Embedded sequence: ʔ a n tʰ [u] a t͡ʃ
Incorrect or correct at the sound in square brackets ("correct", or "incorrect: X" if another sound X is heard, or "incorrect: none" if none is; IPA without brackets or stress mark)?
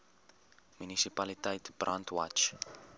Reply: incorrect: w